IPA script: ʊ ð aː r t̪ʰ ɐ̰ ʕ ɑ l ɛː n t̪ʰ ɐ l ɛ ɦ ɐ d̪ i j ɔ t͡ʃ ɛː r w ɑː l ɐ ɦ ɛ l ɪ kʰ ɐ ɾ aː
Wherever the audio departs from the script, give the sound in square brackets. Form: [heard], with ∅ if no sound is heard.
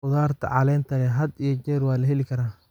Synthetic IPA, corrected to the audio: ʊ ð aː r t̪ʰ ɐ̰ ʕ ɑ l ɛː n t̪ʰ ɐ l ɛ ɦ ɐ d̪ i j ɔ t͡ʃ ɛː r w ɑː l ɐ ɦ ɛ l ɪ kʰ ɐ ɾ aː